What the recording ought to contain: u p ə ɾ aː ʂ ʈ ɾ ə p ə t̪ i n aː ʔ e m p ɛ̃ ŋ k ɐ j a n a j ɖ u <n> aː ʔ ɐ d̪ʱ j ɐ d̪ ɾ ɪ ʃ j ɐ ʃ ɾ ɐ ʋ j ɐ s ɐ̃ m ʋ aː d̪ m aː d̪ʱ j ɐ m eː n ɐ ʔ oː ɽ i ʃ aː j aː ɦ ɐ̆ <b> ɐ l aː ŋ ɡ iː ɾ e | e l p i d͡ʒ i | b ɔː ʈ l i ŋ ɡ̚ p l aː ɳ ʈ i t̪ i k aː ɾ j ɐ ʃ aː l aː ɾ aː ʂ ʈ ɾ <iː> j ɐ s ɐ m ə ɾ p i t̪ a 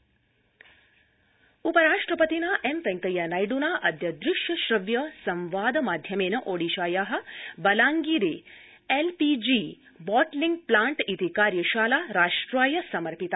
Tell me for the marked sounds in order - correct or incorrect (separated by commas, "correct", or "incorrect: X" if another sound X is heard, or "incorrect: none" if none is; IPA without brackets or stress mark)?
correct, correct, incorrect: aː